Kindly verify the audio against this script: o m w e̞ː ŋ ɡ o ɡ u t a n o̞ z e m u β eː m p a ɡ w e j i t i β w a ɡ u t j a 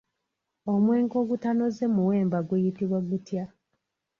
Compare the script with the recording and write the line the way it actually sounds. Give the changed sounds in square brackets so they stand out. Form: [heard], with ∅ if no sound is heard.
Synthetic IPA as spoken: o m w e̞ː ŋ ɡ o ɡ u t a n o̞ z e m u [w] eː m [b] a ɡ w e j i t i β w a ɡ u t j a